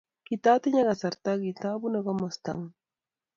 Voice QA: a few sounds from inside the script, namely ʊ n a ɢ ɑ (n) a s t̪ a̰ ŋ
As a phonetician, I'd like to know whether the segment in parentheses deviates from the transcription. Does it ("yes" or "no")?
yes